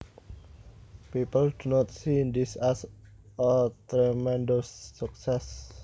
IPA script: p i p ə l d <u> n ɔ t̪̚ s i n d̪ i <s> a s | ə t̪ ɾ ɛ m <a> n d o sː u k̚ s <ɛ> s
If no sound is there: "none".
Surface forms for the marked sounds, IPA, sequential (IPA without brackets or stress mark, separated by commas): u, s, ɛ, ɛ